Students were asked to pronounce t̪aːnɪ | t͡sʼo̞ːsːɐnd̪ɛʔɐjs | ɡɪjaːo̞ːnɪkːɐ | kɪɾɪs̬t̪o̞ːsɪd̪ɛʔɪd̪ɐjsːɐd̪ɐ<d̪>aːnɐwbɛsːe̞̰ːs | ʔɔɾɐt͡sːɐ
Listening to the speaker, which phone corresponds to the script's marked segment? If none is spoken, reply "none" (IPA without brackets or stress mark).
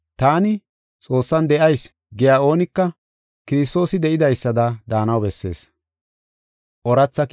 d̪